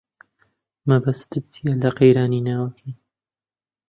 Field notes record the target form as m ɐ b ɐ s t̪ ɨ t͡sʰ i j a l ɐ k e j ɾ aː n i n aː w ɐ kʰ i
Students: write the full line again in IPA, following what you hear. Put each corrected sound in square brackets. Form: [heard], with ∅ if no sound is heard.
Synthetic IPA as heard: m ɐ b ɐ s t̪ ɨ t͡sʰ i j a l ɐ [q] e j ɾ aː n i n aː w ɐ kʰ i